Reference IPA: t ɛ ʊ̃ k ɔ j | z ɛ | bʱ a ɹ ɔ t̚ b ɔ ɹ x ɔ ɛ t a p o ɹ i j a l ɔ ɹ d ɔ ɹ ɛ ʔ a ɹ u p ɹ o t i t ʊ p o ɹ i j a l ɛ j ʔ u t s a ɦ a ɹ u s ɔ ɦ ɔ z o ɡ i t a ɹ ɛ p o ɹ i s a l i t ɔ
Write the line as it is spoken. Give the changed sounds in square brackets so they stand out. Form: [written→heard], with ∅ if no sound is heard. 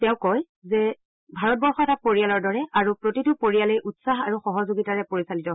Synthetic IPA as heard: t ɛ ʊ̃ k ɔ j | z ɛ | bʱ a ɹ ɔ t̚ b ɔ ɹ x ɔ ɛ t a p o ɹ i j a l ɔ ɹ d ɔ ɹ ɛ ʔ a ɹ u p ɹ o t i t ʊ p o ɹ i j a l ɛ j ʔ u t s a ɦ a ɹ u [s→x] ɔ ɦ ɔ z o ɡ i t a ɹ ɛ p o ɹ i s a l i t ɔ